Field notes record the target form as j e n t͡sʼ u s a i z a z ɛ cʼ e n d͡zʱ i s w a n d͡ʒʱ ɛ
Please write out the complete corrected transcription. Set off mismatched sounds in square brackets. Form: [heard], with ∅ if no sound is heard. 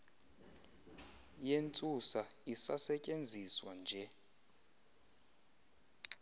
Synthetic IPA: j e n t͡sʼ u s a i [s] a [s] ɛ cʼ e n d͡zʱ i s w a n d͡ʒʱ ɛ